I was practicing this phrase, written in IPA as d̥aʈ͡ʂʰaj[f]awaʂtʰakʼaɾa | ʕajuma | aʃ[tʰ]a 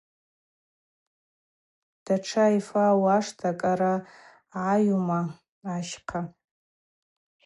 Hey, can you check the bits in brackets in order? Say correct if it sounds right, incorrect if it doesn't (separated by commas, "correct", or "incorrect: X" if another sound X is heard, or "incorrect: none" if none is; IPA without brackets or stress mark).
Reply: correct, incorrect: qʰ